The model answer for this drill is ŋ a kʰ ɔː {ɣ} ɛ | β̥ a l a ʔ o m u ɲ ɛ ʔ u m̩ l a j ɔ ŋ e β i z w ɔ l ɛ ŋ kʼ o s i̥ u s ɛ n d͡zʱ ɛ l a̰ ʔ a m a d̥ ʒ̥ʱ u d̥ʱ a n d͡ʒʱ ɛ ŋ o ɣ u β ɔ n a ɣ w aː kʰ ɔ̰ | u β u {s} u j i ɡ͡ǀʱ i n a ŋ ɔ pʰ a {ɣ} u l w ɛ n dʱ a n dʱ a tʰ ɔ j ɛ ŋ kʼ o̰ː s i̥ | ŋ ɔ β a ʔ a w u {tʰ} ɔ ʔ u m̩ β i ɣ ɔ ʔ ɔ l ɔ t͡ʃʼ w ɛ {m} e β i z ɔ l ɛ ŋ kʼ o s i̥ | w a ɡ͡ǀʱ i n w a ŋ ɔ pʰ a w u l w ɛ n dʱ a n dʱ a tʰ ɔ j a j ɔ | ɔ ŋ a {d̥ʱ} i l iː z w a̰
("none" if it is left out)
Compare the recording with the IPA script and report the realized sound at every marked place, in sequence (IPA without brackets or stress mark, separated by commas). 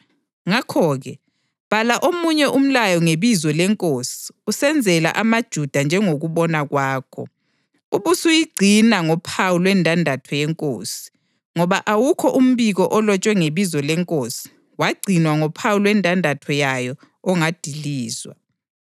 ɣ, s, w, kʰ, ŋ, d̥ʱ